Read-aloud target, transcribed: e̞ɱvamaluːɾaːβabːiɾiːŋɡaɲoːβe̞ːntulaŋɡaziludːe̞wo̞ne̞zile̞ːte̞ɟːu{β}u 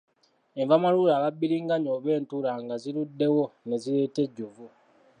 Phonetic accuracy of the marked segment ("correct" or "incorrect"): incorrect